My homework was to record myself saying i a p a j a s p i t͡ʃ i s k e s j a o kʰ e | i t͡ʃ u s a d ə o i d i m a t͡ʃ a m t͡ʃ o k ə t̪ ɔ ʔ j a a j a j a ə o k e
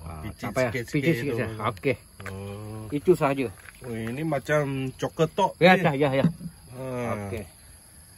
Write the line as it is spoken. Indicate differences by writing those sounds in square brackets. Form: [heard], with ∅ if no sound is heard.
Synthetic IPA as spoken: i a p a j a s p i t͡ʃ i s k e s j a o [k] e | i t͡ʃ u s a [d͡ʒ] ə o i [n] i m a t͡ʃ a m t͡ʃ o k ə t̪ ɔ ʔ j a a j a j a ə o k e